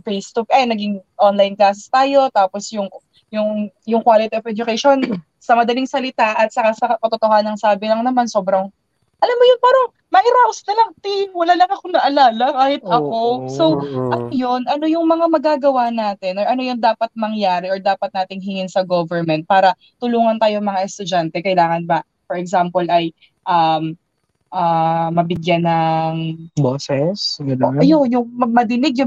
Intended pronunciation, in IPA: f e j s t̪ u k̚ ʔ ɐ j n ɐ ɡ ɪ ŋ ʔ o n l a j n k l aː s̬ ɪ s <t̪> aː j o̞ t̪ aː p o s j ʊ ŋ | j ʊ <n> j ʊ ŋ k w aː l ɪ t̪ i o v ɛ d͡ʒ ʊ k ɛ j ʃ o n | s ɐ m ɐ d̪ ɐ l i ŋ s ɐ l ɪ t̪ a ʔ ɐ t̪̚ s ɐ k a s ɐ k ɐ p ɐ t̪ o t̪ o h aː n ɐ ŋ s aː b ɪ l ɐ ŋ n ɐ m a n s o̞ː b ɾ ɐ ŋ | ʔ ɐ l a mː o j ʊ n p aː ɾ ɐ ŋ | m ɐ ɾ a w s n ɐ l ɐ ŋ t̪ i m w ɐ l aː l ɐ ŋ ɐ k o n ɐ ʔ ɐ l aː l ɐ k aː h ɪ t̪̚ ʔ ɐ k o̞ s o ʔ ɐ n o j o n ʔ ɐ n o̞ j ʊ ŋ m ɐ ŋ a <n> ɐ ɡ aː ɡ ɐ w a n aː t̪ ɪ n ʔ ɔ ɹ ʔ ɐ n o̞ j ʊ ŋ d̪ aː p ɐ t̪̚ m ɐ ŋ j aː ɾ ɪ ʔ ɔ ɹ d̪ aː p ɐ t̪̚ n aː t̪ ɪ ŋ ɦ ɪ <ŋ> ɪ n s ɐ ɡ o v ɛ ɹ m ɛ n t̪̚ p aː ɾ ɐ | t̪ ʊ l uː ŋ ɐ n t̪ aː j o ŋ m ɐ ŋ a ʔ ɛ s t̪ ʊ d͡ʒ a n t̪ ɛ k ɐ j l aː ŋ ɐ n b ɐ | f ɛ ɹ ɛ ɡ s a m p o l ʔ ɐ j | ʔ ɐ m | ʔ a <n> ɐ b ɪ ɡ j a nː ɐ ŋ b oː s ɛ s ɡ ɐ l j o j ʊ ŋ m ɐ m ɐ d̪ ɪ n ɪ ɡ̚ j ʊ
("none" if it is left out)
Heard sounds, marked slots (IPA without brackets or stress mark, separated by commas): t̪, ŋ, m, ŋ, m